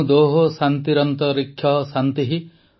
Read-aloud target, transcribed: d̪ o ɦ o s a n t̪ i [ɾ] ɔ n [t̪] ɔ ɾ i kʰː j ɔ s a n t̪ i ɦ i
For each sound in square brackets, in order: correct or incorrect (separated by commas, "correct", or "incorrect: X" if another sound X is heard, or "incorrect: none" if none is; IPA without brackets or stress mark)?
correct, correct